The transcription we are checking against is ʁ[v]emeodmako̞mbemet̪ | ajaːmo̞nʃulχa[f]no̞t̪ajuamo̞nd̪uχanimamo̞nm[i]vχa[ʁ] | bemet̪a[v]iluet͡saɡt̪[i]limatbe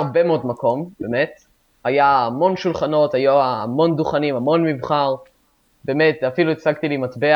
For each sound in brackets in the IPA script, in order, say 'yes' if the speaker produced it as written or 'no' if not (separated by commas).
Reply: no, no, yes, yes, no, yes